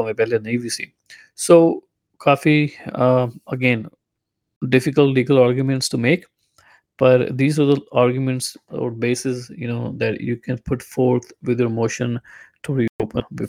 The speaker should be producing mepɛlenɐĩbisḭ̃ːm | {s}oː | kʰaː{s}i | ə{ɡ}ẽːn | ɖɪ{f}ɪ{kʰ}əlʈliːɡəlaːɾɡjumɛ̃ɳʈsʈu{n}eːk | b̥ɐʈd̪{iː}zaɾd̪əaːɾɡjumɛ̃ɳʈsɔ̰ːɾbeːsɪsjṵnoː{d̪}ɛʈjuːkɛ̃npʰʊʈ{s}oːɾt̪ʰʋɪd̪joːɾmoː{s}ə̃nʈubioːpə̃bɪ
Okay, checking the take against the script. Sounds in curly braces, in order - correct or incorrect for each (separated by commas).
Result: correct, incorrect, correct, correct, incorrect, incorrect, correct, correct, incorrect, incorrect